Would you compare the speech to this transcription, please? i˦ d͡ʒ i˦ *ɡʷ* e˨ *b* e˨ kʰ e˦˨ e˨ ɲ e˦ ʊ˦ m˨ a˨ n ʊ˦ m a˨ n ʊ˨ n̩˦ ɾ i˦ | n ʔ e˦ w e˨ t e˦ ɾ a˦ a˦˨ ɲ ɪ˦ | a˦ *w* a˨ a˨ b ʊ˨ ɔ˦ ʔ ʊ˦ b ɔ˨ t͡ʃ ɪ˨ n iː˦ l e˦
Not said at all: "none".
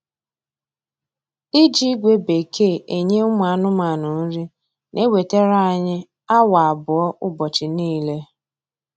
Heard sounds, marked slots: ɡʷ, b, w

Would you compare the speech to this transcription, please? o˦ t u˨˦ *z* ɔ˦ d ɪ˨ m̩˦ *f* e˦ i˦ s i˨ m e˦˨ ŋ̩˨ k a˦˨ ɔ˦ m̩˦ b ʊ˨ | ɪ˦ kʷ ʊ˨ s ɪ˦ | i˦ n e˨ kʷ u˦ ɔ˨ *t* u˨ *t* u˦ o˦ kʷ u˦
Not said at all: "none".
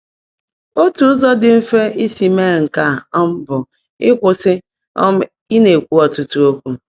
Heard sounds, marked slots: z, f, t, t

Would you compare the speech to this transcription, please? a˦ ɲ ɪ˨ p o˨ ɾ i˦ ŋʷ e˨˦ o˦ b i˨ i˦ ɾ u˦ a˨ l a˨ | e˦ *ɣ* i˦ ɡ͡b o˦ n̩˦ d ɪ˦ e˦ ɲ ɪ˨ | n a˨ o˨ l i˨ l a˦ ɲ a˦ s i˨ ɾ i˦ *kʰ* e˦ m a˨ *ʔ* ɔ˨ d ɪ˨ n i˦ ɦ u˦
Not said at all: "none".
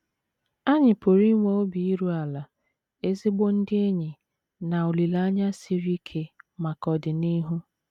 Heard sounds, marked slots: z, kʰ, k

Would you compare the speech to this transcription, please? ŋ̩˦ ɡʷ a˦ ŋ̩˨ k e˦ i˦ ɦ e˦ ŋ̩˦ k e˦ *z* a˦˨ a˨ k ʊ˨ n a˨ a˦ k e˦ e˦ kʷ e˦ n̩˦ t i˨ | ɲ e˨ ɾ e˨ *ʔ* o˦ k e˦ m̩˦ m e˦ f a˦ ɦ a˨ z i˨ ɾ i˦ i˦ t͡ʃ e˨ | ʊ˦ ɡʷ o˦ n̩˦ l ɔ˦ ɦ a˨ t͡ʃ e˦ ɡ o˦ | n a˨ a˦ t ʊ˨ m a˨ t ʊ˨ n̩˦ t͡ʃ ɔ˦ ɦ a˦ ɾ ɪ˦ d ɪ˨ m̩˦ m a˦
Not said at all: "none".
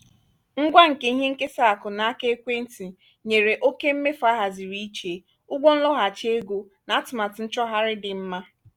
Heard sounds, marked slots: s, ʔ

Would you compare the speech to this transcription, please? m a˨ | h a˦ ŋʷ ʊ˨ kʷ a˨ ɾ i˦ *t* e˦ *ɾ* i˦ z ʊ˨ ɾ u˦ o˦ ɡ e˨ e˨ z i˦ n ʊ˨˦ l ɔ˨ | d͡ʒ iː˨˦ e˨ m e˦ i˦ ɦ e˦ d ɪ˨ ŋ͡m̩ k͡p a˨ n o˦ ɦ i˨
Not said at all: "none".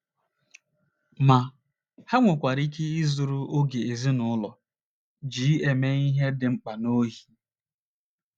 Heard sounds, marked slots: k, none

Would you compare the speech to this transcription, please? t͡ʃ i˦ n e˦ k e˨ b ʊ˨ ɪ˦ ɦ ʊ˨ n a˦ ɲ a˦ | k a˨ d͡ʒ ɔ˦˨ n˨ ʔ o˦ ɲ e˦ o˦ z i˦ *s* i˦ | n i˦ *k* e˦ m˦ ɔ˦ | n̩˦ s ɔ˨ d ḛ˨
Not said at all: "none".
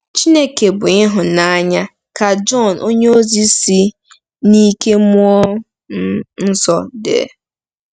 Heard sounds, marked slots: s, k

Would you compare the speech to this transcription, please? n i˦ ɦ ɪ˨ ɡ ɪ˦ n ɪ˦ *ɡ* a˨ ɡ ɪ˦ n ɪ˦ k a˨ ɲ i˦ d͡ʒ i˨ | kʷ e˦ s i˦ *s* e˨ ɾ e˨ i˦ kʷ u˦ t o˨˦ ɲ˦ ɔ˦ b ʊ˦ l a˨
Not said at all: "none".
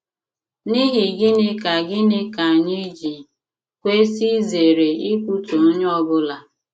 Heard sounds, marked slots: k, z

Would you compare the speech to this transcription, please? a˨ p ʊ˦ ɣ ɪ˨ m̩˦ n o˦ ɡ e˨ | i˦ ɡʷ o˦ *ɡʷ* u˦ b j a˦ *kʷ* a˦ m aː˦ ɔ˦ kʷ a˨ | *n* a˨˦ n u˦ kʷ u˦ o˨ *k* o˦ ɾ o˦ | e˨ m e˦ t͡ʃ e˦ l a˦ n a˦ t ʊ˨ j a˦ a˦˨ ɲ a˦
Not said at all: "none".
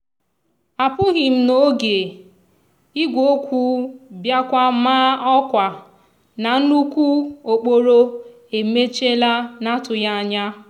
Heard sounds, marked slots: kʷ, kʷ, n, k͡p

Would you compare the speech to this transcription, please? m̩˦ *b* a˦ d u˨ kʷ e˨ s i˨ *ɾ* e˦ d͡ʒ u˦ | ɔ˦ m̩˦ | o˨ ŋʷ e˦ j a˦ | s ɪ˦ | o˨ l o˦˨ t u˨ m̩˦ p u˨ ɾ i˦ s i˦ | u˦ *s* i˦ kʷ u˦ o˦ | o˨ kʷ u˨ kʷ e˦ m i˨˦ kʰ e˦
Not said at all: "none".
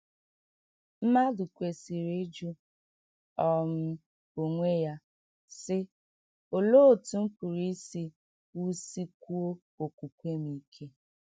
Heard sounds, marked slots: m, ɾ, s

